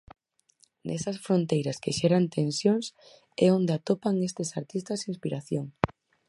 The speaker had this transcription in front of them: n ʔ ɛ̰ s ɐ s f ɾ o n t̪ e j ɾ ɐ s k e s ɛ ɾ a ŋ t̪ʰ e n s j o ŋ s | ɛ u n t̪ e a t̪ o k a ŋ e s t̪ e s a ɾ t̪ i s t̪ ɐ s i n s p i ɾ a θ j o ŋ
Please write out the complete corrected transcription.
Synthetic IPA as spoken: n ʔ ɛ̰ s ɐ s f ɾ o n t̪ e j ɾ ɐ s k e ʃ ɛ ɾ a n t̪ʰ e n s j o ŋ s | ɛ o n d̪ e a t̪ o p a ŋ e s t̪ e s a ɾ t̪ i s t̪ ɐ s i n s p i ɾ a θ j o ŋ